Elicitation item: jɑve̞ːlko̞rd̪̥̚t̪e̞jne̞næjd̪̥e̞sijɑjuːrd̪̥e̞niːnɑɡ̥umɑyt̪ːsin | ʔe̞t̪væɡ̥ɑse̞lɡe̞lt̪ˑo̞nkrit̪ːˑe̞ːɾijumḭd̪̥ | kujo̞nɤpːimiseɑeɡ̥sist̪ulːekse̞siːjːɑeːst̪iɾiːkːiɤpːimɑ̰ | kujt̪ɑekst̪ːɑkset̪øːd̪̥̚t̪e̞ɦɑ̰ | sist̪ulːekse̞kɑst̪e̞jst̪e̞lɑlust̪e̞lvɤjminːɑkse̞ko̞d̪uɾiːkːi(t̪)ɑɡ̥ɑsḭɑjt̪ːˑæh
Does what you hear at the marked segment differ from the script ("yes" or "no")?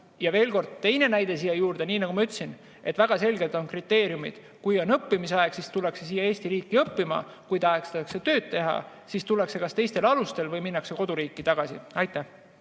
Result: no